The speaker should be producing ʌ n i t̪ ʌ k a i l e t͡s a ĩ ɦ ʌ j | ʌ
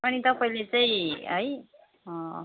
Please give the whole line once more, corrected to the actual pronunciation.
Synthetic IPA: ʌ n i t̪ ʌ p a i l e t͡s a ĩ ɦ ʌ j | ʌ